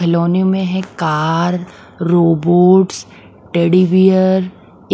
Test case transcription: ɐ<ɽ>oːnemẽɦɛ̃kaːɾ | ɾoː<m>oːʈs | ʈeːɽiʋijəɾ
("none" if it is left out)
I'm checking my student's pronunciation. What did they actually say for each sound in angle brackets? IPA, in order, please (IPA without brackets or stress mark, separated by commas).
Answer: l, b